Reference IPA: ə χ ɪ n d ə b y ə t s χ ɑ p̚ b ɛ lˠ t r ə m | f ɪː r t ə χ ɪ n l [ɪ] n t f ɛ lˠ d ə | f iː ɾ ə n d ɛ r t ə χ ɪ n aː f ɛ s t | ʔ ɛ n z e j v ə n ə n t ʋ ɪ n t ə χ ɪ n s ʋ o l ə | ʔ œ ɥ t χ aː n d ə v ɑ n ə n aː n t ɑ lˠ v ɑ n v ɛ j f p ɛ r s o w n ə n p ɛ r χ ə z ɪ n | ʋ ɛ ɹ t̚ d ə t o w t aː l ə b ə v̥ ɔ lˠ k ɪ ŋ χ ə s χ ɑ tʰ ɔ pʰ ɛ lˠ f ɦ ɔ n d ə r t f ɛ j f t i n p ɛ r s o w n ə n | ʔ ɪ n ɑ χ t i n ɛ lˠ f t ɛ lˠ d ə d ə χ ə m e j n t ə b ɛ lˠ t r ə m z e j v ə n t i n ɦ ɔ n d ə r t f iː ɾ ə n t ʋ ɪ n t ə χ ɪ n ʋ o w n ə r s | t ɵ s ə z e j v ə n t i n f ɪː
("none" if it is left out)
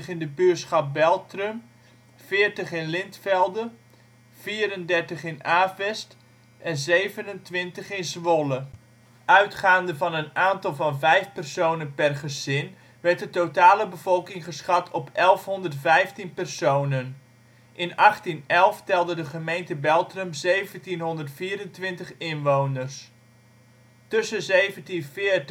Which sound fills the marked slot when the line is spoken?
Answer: ɪ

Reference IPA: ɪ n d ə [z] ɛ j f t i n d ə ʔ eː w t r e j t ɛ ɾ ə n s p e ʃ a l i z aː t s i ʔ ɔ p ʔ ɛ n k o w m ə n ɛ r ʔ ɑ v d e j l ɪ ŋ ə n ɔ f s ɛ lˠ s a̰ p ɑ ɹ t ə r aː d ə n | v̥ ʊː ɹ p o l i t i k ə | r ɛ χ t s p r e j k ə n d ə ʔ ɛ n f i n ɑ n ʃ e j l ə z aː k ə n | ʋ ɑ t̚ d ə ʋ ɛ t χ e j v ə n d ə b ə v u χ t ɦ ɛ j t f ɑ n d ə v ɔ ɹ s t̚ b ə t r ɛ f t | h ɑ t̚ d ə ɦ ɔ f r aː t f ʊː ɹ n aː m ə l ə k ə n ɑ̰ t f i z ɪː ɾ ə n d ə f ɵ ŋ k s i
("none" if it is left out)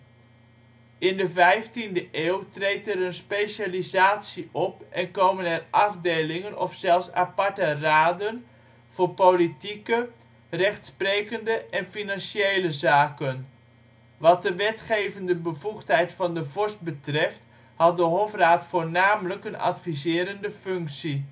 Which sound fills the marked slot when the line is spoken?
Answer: v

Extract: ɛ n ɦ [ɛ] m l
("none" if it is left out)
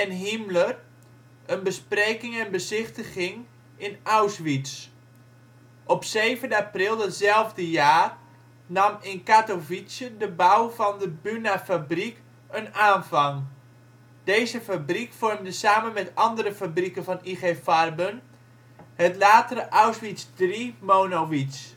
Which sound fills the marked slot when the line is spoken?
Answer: i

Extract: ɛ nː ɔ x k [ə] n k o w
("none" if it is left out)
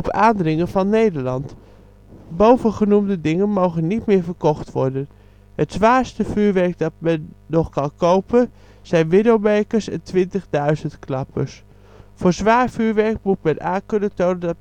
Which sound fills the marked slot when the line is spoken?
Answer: ɑ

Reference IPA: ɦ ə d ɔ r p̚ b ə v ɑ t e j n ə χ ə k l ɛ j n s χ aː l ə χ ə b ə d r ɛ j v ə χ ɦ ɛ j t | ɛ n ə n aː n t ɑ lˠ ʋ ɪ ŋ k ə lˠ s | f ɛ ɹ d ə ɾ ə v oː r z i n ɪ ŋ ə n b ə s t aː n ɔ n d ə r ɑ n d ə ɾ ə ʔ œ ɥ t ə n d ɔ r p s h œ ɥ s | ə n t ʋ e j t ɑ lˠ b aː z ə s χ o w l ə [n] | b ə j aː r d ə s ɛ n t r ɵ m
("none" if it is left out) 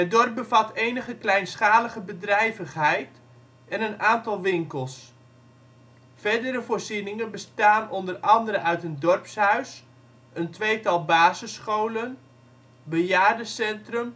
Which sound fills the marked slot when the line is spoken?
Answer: n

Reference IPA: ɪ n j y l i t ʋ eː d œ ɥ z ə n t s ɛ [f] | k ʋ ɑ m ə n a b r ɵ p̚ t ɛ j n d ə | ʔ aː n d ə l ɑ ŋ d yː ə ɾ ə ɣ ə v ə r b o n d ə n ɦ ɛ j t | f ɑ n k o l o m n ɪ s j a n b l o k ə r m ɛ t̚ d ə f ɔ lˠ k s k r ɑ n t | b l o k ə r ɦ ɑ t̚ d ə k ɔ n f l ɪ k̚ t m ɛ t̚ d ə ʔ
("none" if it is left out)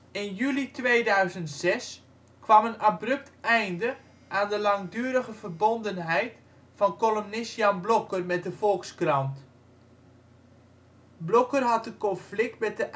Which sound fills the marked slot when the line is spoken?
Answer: s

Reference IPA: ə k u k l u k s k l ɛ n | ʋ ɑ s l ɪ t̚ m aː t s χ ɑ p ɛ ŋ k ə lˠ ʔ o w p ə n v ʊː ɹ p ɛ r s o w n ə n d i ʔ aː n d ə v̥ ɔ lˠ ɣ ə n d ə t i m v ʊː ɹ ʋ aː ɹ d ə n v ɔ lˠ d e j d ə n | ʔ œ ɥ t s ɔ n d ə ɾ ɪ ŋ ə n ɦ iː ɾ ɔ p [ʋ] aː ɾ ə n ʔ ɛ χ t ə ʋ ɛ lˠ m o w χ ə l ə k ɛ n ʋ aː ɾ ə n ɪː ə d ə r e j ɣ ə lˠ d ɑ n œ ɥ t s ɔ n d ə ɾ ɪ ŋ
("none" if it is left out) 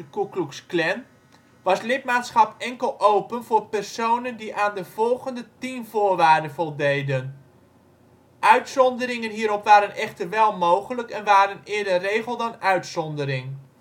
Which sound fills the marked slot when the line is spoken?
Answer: ʋ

